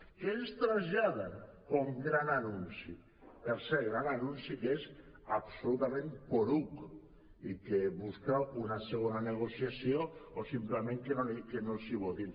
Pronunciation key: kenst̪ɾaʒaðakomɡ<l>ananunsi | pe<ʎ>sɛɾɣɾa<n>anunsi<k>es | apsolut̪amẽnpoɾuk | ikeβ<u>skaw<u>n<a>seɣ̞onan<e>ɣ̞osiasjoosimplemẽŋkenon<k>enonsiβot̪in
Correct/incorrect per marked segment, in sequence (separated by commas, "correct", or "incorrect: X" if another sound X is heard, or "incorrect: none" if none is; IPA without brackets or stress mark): incorrect: ɾ, incorrect: ɾ, correct, correct, correct, correct, correct, correct, correct